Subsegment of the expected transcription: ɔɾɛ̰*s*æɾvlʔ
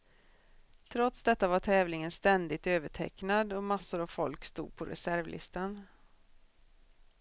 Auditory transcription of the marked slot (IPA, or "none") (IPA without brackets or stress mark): s